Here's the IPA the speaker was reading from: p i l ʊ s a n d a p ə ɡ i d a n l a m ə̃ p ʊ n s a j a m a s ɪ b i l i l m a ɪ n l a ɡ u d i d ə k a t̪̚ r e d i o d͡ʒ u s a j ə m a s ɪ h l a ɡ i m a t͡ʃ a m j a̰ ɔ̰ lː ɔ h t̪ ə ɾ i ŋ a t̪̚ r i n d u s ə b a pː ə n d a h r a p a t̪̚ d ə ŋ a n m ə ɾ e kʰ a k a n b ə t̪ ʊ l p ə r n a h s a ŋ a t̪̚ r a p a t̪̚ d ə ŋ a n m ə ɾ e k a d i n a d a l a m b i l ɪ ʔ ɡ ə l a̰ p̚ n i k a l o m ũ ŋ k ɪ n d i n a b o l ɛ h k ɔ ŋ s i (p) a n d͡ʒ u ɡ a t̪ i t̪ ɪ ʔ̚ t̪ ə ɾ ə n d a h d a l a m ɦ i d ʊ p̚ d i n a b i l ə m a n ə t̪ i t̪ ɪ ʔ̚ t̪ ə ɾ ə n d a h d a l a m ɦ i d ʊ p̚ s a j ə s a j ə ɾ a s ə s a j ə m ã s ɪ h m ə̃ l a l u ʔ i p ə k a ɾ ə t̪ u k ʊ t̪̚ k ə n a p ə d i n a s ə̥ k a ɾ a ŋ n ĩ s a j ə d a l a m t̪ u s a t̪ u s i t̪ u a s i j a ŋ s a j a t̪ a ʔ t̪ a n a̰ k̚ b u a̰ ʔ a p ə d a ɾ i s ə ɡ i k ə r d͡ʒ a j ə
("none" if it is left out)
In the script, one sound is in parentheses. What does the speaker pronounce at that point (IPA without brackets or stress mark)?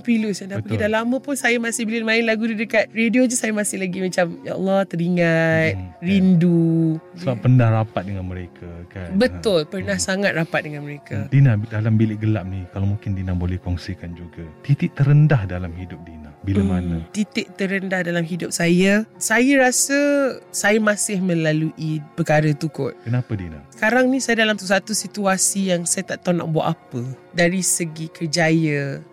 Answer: k